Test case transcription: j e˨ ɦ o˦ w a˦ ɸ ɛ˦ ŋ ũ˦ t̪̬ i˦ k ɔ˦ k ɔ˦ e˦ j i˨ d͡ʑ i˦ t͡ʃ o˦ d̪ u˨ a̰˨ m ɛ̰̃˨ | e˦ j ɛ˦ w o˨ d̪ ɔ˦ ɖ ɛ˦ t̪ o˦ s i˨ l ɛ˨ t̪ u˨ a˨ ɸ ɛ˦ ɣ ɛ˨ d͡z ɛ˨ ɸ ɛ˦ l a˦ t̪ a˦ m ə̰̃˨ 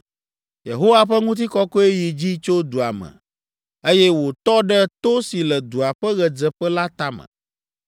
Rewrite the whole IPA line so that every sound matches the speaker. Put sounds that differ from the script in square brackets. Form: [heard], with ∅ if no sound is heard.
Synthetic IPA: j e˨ ɦ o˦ w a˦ ɸ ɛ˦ ŋ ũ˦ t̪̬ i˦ k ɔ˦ k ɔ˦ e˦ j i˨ d͡ʑ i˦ t͡ʃ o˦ d̪ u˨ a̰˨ m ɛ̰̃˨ | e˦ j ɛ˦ w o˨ [t̪] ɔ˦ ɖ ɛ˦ t̪ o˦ s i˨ l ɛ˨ [d̪] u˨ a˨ ɸ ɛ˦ ɣ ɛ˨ d͡z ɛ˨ ɸ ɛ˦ l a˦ t̪ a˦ m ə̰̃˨